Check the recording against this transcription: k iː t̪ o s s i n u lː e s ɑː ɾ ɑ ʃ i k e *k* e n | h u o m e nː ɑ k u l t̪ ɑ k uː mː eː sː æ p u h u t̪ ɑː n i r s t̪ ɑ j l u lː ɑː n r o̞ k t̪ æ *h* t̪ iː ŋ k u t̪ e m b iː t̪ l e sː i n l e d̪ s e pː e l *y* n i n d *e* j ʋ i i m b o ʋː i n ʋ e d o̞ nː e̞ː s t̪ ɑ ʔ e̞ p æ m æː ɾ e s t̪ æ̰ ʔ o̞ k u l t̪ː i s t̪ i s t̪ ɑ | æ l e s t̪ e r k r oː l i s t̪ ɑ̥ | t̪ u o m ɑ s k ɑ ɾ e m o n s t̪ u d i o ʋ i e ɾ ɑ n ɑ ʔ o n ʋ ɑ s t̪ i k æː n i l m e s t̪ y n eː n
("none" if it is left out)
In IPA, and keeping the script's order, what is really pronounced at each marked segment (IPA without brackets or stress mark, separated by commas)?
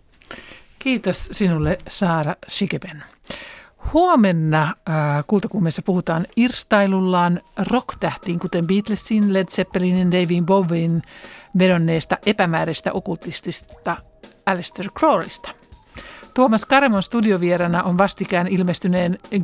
p, h, i, e